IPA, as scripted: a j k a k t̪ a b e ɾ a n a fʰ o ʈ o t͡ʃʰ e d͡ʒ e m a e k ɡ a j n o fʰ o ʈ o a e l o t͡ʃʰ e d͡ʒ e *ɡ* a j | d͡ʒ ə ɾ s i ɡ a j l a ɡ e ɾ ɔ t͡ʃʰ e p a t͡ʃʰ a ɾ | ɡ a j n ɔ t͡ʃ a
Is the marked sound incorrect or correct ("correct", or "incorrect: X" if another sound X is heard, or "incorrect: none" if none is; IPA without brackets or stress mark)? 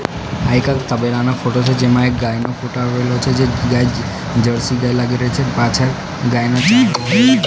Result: correct